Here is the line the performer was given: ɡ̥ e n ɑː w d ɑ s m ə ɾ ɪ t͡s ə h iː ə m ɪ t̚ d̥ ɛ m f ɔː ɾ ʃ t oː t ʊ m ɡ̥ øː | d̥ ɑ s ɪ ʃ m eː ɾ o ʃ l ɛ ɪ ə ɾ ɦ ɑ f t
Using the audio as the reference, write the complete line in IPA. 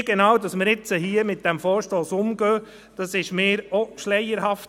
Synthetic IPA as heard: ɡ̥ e n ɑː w d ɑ s m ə ɾ ɪ t͡s ə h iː ə m ɪ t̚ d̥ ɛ m f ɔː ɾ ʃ t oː s ʊ m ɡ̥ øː | d̥ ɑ s ɪ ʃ m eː ɾ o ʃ l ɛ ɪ ə ɾ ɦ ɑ f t